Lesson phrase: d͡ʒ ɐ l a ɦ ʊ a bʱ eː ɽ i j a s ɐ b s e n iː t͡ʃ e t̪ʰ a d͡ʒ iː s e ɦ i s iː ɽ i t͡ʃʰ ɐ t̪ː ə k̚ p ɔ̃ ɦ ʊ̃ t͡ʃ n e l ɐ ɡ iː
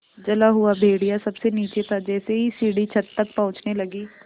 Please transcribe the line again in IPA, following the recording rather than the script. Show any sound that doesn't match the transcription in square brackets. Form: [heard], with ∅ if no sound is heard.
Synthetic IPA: d͡ʒ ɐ l a ɦ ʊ a bʱ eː ɽ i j a s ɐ b s e n iː t͡ʃ e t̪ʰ a d͡ʒ [ɛː] s e ɦ i s iː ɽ i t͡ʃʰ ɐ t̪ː ə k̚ p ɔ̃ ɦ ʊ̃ t͡ʃ n e l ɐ ɡ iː